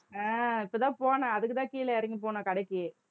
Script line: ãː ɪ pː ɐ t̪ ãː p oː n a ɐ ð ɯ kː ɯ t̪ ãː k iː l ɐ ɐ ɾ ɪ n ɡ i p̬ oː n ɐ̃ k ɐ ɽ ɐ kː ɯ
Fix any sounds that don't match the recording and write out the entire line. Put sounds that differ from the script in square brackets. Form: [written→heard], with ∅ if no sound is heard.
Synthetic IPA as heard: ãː ɪ pː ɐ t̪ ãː p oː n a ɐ ð ɯ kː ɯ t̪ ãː k iː l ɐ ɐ ɾ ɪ [n→ŋ] ɡ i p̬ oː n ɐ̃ k ɐ ɽ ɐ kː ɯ